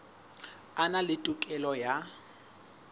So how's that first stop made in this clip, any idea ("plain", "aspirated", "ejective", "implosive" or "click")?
ejective